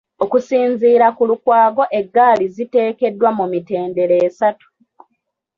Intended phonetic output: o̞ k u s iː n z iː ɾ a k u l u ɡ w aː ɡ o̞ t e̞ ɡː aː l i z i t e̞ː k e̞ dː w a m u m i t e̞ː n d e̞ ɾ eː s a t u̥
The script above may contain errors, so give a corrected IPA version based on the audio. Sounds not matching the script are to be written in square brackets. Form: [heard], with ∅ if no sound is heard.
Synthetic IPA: o̞ k u s iː n z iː ɾ a k u l u [k] w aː ɡ o̞ [ʔ] e̞ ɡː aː l i z i t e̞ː k e̞ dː w a m u m i t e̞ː n d e̞ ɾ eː s a t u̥